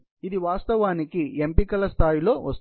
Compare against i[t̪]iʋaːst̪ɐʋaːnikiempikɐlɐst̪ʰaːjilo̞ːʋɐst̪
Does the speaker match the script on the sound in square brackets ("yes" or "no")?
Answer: no